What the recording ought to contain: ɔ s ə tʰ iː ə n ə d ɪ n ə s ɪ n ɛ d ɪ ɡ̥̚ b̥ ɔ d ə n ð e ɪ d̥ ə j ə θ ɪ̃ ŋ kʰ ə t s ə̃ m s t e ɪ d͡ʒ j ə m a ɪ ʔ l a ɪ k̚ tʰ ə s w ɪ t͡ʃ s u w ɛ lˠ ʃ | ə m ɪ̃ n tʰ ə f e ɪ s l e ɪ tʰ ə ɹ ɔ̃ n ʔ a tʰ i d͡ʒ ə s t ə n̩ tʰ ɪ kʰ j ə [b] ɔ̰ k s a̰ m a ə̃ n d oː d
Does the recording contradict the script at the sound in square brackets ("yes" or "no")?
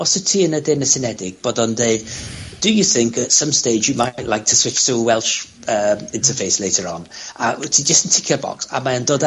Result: no